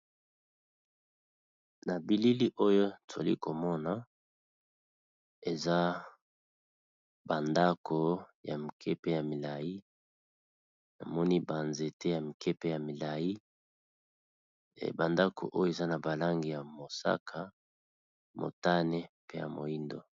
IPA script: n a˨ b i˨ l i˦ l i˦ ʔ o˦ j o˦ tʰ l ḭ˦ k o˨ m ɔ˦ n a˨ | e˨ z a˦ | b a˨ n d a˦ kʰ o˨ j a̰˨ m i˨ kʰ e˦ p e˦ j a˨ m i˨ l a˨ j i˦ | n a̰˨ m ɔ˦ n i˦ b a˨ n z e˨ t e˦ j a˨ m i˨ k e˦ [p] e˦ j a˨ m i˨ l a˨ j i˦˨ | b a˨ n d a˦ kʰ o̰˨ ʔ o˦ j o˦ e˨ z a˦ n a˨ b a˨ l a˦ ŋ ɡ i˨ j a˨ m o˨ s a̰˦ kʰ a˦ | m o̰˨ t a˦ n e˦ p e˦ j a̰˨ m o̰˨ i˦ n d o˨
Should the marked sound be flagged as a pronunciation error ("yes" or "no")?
no